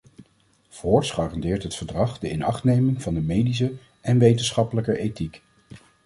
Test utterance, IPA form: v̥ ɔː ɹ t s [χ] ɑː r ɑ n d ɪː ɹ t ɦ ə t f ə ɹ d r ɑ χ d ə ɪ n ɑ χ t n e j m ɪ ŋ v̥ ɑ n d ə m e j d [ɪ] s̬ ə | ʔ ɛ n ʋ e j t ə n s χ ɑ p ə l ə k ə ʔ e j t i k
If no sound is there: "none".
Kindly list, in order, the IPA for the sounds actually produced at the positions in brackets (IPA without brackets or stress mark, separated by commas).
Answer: χ, i